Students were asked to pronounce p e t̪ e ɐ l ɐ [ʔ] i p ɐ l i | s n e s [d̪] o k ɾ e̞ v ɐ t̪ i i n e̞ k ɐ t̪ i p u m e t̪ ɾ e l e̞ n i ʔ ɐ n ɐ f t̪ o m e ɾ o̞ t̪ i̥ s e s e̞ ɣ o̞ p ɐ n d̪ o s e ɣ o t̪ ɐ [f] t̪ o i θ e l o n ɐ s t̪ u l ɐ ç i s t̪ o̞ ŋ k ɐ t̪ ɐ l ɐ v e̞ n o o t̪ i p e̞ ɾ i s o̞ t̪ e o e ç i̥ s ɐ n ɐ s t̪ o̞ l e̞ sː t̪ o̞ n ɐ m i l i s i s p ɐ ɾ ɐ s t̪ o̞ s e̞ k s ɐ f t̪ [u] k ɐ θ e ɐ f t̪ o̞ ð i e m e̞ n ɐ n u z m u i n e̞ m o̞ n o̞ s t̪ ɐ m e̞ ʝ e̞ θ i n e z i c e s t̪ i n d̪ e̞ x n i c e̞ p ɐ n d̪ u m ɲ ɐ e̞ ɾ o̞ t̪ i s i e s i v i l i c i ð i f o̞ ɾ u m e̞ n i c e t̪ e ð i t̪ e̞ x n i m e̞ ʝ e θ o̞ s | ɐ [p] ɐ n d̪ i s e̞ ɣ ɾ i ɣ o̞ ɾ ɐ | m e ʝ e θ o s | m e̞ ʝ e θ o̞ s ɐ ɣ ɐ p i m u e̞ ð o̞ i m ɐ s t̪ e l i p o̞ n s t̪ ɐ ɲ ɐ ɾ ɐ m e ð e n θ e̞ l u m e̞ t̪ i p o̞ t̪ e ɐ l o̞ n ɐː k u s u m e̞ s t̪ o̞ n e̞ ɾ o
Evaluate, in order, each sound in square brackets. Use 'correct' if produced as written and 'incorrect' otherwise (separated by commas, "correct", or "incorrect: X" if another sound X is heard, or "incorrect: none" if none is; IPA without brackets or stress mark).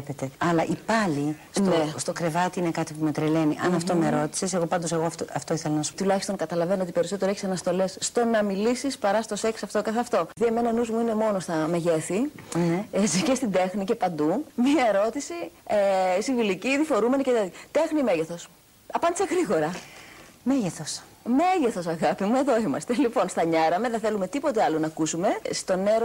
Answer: correct, incorrect: t̪, correct, incorrect: o, correct